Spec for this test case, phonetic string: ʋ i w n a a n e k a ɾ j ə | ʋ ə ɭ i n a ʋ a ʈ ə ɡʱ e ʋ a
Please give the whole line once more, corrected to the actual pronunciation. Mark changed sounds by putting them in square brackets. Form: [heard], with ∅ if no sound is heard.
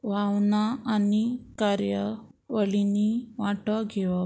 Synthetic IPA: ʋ [a] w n a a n [i] k a ɾ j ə | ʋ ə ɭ i n [i] ʋ a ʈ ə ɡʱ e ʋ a